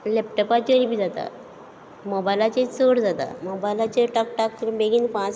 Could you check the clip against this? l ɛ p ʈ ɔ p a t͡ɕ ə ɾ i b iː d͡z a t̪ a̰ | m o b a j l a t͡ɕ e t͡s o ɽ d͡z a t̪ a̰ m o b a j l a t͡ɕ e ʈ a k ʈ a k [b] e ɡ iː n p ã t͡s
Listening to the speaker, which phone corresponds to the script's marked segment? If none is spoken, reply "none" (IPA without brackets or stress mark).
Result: b